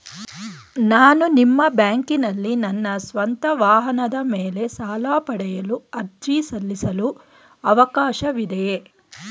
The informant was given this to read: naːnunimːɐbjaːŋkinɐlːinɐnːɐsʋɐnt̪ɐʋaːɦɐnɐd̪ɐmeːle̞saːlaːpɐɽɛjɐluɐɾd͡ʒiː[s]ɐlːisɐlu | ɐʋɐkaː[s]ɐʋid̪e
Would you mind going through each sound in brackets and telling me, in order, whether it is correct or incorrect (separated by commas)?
correct, incorrect